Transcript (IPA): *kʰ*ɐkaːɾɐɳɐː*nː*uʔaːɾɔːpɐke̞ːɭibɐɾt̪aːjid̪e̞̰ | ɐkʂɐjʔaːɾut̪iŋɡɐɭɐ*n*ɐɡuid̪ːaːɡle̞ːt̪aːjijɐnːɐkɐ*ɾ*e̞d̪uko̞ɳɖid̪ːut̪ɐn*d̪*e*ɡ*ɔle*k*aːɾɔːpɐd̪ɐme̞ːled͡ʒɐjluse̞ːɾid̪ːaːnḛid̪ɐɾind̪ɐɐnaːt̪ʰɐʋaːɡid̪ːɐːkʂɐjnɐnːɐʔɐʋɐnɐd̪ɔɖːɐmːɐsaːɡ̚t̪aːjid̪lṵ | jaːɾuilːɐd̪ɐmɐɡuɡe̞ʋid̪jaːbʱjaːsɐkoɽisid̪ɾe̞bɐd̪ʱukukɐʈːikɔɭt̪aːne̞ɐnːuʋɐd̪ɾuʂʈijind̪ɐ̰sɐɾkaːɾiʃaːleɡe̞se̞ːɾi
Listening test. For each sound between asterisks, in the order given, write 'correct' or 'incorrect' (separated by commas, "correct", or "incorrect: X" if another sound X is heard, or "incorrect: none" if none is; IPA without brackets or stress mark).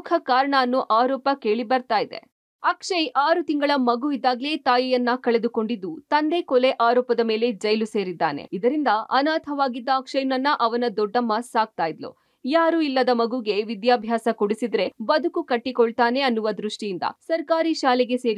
correct, correct, incorrect: m, incorrect: ɭ, correct, incorrect: k, incorrect: ʔ